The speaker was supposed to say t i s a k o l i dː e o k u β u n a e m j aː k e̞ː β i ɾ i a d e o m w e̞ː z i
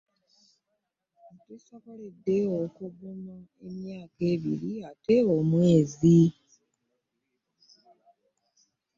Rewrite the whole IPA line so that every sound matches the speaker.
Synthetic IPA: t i s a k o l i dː e o k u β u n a e m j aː k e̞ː β i ɾ i a t e o m w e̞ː z i